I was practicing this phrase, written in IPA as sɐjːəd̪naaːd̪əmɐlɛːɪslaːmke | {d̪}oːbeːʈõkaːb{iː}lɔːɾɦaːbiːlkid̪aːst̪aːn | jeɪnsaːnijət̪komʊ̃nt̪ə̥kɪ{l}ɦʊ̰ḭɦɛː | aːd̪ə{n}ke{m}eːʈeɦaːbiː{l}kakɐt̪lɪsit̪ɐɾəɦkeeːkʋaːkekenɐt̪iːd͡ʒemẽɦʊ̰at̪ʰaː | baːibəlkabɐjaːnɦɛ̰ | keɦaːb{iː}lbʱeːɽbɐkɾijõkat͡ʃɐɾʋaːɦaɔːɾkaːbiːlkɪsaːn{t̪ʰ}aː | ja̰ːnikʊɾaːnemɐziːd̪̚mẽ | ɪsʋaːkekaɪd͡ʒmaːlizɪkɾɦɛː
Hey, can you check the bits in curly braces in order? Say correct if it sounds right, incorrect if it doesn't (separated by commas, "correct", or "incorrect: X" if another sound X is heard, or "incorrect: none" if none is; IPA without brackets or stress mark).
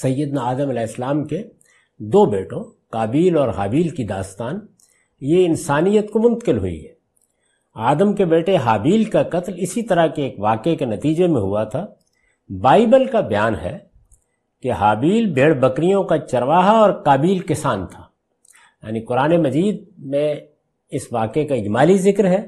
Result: correct, correct, correct, incorrect: m, incorrect: b, correct, correct, correct